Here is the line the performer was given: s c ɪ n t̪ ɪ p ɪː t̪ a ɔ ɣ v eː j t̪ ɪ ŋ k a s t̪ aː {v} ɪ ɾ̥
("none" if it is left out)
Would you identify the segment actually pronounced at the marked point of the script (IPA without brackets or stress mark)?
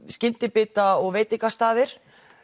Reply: ð